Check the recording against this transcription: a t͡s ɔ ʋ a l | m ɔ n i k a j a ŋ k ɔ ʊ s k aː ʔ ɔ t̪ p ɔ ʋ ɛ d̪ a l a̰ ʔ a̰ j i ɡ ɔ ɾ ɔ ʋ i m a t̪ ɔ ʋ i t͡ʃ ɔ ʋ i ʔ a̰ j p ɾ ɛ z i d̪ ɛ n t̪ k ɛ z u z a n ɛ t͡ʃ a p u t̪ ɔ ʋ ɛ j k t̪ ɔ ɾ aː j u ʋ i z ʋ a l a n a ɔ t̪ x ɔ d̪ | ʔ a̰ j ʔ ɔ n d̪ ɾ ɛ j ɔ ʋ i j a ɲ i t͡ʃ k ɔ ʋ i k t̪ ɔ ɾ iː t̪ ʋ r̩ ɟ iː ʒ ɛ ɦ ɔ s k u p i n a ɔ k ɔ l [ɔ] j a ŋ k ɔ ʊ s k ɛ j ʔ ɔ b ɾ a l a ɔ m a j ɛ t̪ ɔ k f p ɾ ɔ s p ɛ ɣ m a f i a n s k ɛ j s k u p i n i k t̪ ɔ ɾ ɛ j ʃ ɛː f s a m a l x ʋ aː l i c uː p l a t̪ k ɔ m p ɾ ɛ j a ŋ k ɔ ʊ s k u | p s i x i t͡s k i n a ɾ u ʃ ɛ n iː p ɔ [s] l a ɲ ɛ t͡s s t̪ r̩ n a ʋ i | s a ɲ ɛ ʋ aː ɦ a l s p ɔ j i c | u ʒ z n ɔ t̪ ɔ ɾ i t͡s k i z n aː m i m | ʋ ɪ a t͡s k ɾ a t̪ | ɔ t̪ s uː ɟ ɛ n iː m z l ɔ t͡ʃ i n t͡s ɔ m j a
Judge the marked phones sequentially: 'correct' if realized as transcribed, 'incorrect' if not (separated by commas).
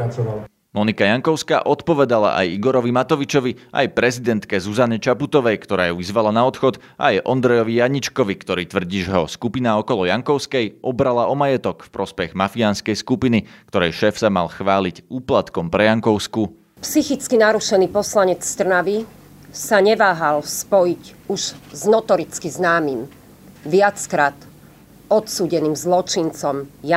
correct, correct